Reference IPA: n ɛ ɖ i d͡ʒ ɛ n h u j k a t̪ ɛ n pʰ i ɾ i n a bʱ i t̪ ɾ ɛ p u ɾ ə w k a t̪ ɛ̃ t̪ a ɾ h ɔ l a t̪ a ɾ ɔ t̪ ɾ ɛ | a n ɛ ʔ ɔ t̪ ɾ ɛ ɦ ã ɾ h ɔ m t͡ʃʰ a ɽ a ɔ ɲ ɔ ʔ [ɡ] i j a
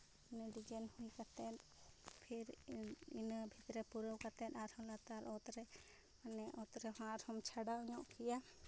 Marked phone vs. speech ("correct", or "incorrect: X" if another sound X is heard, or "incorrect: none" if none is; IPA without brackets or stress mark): incorrect: k